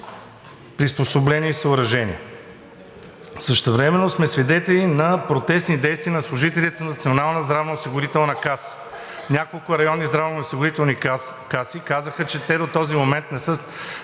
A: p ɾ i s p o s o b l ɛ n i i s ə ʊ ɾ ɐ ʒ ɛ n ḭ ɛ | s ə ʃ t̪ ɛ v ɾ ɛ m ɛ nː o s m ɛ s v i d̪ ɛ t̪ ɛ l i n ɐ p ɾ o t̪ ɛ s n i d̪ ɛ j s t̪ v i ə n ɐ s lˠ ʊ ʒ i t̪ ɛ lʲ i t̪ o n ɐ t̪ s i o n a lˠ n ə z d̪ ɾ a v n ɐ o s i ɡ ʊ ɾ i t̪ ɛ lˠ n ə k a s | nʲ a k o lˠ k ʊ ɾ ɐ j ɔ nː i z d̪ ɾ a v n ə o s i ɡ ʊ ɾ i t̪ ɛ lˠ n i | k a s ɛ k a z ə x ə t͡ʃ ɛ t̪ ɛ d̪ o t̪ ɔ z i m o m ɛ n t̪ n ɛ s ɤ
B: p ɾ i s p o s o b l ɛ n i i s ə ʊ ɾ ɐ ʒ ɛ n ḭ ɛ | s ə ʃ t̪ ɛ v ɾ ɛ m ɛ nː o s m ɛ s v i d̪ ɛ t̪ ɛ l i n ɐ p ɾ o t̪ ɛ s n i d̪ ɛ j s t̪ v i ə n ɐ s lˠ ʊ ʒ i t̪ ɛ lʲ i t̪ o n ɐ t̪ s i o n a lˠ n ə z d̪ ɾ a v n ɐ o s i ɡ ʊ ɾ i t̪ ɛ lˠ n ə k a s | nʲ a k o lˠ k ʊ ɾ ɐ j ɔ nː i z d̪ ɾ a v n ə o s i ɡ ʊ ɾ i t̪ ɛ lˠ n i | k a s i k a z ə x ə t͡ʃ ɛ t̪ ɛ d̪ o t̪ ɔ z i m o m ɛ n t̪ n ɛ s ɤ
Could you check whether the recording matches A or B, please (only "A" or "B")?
B